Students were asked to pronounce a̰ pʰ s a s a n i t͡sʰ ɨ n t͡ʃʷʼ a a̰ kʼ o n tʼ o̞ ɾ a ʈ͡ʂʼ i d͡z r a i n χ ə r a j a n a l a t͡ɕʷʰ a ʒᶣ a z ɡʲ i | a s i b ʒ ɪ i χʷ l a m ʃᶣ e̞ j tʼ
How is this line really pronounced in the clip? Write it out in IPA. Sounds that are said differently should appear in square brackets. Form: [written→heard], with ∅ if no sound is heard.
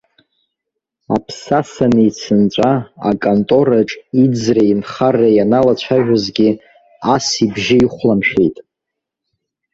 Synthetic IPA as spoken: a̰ pʰ s a s a n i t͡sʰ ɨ n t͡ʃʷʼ a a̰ kʼ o n tʼ o̞ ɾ a ʈ͡ʂʼ i d͡z r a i n χ [ə→a] r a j a n a l a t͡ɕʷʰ a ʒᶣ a z ɡʲ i | a s i b ʒ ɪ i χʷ l a m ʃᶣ e̞ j tʼ